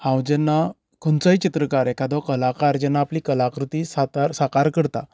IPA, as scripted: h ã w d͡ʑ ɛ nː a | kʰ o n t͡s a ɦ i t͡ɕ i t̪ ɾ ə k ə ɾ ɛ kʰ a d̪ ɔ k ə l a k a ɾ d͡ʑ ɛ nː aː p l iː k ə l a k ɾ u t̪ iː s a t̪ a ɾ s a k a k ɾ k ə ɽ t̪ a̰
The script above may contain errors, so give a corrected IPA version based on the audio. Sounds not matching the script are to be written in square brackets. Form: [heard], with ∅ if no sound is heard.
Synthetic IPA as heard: h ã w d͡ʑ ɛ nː a | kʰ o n t͡s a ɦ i t͡ɕ i t̪ ɾ ə k [a] ɾ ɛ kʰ a d̪ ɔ k ə l a k a ɾ d͡ʑ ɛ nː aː p l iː k ə l a k ɾ u t̪ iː s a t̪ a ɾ s a k a [∅] ɾ k ə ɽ t̪ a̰